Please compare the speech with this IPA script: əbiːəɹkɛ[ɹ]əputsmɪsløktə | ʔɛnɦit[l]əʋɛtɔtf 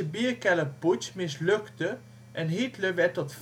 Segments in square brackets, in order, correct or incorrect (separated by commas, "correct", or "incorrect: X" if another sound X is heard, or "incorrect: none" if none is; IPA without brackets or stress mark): incorrect: l, correct